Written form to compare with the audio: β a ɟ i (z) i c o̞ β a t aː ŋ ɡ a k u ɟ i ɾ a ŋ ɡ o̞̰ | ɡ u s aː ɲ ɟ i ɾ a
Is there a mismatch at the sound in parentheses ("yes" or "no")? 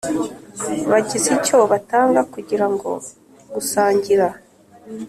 no